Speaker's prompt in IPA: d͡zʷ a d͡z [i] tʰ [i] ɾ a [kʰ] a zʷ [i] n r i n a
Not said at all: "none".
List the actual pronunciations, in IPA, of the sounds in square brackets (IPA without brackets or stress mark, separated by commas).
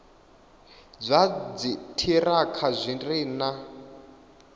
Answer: i, i, kʰ, i